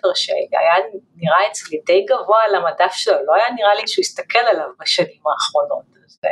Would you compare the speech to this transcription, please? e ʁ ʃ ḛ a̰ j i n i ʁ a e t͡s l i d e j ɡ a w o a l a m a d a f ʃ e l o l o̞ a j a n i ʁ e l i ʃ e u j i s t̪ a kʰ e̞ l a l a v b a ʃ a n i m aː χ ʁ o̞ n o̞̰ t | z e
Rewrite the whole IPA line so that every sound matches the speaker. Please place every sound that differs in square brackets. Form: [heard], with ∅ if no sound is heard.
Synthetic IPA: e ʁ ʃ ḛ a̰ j [a] n i ʁ a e t͡s l i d e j ɡ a [v] o a l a m a d a f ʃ e l o l o̞ a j a n i ʁ [a] l i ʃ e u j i s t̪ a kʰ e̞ l a l a v b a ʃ a n i m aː χ ʁ o̞ n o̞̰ t | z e